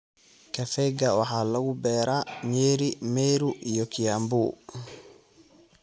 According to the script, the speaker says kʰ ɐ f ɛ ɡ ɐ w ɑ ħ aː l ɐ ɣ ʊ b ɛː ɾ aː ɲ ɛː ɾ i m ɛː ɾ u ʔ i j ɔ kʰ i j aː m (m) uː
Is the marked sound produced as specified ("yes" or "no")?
no